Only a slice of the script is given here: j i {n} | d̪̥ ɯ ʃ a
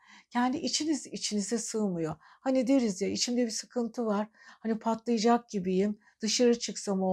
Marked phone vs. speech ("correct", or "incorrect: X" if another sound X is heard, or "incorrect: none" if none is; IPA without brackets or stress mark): incorrect: m